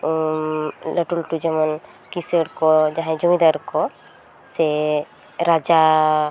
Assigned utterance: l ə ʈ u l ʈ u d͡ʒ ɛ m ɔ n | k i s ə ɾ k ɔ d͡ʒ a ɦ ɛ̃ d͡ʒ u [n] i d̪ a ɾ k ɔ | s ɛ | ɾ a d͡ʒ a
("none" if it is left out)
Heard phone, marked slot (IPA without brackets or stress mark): m